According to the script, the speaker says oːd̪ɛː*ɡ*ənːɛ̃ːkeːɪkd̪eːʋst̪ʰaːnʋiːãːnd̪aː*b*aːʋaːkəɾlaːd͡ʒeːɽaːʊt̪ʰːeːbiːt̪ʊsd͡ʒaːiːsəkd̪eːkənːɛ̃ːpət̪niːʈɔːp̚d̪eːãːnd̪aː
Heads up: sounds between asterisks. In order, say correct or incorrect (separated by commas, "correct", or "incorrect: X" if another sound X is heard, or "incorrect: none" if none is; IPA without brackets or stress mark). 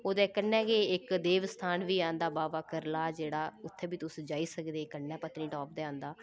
incorrect: k, correct